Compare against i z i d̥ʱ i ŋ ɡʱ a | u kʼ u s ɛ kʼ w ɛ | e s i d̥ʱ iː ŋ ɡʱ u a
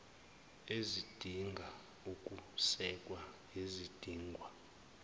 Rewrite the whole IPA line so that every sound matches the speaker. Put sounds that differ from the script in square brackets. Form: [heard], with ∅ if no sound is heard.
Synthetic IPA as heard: [e] z i d̥ʱ i ŋ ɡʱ a | u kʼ u s ɛ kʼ w [a] | e [z] i d̥ʱ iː ŋ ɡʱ [w] a

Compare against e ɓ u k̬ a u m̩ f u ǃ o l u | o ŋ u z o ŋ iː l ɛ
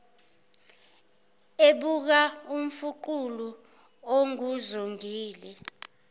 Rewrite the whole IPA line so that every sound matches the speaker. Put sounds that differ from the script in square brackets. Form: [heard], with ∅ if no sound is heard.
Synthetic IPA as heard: e ɓ u k̬ a u m̩ f u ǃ [u] l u | o ŋ u z o ŋ iː l ɛ

